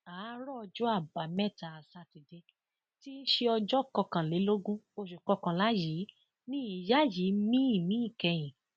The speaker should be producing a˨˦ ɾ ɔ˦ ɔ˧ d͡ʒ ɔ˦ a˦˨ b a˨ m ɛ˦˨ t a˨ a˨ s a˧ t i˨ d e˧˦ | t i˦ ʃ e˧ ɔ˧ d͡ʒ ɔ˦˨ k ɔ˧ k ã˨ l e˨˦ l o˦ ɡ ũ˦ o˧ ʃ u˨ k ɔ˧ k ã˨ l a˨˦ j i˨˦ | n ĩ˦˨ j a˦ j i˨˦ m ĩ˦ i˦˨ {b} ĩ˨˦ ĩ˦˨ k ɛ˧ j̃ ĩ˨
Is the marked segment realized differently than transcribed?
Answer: yes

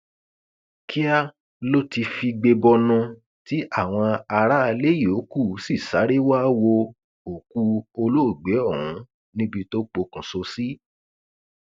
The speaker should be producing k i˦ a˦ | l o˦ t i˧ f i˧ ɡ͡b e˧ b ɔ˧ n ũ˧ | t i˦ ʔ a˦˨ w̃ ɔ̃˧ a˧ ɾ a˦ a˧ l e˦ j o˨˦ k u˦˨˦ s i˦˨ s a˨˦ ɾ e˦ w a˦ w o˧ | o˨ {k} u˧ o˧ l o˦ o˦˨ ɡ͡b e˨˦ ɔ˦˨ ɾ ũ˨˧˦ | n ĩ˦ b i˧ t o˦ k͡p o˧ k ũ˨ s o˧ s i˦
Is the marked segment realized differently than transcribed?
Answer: no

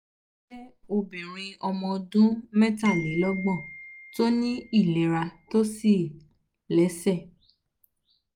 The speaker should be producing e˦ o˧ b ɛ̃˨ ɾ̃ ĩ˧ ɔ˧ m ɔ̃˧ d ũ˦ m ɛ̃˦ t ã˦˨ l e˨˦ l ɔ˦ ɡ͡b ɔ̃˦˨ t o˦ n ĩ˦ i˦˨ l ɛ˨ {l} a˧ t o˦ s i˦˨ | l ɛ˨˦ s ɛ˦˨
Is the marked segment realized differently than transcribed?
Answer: yes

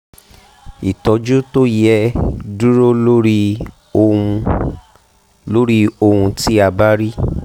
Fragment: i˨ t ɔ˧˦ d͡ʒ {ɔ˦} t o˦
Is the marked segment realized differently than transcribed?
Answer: yes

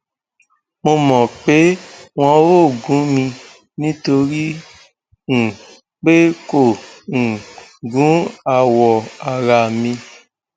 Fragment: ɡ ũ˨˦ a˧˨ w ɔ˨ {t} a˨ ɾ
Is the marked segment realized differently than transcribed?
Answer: yes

